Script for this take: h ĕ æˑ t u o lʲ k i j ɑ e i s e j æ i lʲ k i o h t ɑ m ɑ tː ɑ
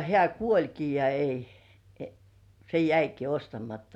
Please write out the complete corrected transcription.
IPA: h ĕ æˑ k u o lʲ k i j ɑ e i s e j æ i k i o s t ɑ m ɑ tː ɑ